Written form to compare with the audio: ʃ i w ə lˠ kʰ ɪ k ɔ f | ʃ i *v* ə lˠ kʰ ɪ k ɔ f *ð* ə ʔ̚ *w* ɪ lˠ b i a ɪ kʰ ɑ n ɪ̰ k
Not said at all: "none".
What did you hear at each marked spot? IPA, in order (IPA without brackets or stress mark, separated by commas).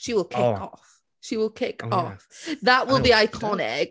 w, ð, w